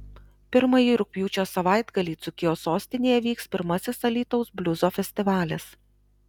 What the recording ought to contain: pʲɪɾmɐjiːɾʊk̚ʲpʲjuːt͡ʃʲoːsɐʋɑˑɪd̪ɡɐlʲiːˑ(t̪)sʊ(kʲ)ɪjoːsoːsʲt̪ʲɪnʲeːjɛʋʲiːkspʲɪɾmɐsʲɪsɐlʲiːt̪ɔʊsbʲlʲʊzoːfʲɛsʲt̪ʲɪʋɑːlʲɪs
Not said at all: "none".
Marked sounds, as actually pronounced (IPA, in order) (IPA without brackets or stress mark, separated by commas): t̪, kʲ